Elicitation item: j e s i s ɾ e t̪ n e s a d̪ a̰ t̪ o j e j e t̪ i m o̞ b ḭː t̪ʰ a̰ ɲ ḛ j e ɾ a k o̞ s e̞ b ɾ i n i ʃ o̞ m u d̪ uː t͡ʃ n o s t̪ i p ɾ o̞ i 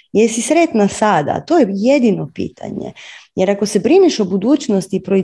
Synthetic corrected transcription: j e s i s ɾ e t̪ n a s a d̪ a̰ t̪ o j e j e d̪ i n o̞ p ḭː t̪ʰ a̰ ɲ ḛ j e ɾ a k o̞ s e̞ b ɾ i n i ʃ o̞ b u d̪ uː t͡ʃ n o s t̪ i p ɾ o̞ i